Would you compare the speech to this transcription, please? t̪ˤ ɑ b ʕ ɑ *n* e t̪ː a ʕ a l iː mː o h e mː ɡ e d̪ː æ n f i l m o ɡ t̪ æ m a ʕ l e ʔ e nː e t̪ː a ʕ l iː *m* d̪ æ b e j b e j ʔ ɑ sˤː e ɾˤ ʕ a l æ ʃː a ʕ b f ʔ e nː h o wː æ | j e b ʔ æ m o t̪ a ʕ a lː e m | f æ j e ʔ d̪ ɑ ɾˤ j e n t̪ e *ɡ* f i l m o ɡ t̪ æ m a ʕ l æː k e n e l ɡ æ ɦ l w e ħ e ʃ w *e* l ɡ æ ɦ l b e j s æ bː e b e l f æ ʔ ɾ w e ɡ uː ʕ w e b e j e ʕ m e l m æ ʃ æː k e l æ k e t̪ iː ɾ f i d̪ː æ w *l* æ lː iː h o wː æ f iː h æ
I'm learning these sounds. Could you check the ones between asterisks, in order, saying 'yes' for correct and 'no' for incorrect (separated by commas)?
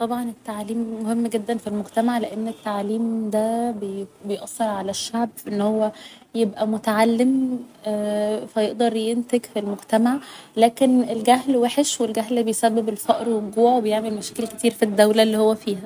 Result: yes, yes, yes, yes, yes